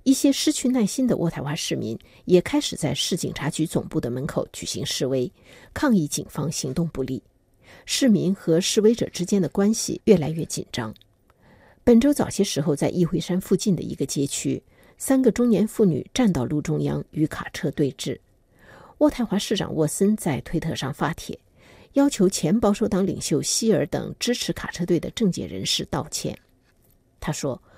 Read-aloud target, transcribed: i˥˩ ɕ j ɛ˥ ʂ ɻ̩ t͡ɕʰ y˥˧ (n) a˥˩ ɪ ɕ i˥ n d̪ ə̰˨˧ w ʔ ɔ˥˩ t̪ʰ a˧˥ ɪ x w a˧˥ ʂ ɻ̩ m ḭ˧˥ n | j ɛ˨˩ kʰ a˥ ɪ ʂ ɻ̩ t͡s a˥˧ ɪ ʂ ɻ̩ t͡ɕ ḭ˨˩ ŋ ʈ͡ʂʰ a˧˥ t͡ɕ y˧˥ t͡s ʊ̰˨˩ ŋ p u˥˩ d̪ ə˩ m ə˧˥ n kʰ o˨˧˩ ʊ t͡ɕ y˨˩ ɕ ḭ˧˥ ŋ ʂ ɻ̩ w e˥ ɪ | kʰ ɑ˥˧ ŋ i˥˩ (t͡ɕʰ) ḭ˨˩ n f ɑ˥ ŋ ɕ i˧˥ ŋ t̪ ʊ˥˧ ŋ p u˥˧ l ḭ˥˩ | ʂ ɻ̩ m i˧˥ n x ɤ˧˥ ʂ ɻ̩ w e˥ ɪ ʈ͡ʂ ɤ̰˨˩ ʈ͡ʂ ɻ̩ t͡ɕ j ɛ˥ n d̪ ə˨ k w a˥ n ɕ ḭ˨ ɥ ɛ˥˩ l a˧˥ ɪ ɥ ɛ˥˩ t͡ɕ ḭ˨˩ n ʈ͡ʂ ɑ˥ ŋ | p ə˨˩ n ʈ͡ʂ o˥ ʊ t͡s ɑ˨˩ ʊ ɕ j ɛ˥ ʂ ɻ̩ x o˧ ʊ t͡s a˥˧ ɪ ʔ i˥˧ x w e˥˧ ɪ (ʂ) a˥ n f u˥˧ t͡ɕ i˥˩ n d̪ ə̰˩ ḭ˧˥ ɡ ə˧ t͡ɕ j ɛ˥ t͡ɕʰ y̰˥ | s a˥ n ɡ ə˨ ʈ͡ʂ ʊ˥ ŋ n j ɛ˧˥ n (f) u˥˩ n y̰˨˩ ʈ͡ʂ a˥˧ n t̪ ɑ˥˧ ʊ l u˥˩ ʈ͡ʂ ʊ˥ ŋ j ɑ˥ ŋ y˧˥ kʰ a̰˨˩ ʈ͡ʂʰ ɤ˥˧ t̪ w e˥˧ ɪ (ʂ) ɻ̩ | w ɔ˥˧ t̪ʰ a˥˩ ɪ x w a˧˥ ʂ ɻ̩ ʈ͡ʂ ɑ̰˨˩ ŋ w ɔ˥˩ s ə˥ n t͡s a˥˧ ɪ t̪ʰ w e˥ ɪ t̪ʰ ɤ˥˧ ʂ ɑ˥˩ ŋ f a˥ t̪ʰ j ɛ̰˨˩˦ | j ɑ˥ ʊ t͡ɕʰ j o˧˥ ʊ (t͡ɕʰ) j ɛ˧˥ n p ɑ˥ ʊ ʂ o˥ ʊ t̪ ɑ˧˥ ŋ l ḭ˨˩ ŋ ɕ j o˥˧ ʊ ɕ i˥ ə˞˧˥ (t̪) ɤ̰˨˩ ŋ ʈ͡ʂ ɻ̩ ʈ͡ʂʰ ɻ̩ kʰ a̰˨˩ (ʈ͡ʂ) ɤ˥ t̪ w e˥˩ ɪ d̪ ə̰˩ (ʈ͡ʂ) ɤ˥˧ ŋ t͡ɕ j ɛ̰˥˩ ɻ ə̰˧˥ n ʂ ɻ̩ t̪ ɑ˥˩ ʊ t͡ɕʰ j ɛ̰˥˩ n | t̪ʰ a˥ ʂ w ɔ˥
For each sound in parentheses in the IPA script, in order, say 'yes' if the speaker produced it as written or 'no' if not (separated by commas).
yes, no, yes, yes, no, yes, yes, no, yes